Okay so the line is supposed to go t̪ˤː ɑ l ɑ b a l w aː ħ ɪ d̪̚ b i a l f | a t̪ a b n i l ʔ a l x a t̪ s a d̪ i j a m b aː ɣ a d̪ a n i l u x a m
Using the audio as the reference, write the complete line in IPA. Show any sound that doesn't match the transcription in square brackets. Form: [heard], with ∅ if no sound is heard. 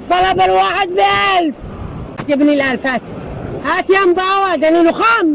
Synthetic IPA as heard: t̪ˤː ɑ l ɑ b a l w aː ħ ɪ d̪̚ b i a l f | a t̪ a b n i l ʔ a l [f] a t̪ [h] a [t̪] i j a m b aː [w] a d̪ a n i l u x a m